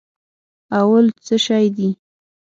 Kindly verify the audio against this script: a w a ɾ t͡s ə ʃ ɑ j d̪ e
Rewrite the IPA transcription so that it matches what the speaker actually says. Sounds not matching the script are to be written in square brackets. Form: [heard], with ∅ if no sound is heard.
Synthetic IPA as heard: a w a [l] t͡s ə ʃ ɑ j d̪ [i]